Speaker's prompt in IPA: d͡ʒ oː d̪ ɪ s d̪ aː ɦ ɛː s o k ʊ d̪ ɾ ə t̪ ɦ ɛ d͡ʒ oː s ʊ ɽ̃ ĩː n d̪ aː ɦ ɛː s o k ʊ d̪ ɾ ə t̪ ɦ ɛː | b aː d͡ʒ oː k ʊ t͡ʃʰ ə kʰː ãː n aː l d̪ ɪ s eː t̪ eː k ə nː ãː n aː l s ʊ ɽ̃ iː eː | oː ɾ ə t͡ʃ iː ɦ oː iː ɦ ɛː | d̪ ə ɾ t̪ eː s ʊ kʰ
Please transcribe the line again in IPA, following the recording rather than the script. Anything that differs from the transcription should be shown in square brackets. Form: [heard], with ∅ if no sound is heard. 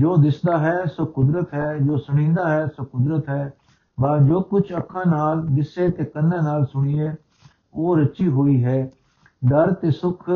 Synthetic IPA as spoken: d͡ʒ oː d̪ ɪ s d̪ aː ɦ ɛː s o k ʊ d̪ ɾ ə t̪ ɦ [ɛː] d͡ʒ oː s ʊ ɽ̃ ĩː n d̪ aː ɦ ɛː s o k ʊ d̪ ɾ ə t̪ ɦ ɛː | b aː d͡ʒ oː k ʊ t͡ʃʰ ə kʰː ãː n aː l d̪ ɪ s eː t̪ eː k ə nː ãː n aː l s ʊ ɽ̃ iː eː | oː ɾ ə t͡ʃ iː ɦ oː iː ɦ ɛː | d̪ ə ɾ t̪ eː s ʊ kʰ